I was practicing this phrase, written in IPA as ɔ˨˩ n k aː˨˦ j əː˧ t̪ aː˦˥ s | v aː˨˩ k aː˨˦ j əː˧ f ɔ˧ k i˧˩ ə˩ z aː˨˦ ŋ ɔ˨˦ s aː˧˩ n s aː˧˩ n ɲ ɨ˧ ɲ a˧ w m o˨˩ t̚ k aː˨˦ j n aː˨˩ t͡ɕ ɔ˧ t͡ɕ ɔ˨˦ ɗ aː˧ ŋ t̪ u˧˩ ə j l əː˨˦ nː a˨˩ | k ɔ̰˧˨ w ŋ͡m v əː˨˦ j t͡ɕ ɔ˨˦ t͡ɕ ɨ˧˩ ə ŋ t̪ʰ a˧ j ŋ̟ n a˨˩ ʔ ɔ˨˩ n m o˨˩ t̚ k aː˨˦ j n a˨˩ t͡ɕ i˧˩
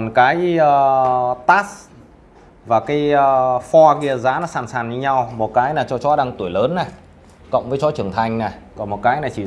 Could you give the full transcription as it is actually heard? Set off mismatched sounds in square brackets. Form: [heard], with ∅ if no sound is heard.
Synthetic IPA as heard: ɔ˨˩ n k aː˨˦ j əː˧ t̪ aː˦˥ s | v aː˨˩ k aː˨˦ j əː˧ f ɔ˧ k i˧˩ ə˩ z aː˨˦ [n] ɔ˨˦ s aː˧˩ n s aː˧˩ n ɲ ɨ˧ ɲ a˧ w m o˨˩ t̚ k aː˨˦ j n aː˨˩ t͡ɕ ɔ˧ t͡ɕ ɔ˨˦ ɗ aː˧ ŋ t̪ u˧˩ ə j l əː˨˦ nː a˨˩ | k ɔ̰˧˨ w ŋ͡m v əː˨˦ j t͡ɕ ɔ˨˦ t͡ɕ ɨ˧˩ ə ŋ t̪ʰ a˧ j ŋ̟ n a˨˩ [k] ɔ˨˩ n m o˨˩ t̚ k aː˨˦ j n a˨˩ t͡ɕ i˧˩